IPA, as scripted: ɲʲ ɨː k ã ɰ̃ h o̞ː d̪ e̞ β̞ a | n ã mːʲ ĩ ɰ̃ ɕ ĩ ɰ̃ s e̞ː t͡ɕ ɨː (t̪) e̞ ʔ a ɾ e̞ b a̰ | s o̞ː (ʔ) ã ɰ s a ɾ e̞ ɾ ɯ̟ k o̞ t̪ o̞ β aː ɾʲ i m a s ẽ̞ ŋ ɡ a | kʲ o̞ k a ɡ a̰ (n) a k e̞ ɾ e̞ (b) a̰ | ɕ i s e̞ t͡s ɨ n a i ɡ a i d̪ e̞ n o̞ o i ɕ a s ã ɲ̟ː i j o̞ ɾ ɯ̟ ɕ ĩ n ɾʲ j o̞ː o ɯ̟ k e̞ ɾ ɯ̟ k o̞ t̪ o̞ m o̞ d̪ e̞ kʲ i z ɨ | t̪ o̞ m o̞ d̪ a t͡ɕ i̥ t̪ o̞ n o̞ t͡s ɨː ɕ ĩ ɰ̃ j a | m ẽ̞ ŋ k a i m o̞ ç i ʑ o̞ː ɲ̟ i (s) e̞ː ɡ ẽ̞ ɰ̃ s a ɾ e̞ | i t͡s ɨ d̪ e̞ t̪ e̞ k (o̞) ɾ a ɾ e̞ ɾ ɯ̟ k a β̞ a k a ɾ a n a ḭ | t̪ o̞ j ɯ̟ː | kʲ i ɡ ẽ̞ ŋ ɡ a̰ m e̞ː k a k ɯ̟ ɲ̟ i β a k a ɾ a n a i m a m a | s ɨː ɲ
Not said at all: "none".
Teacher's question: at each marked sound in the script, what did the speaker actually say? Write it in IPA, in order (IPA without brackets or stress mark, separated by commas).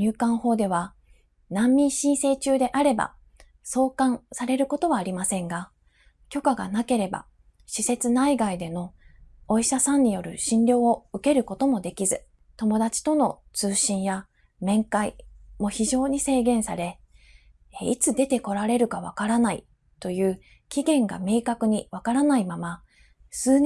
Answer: d̪, k, n, b, s, o̞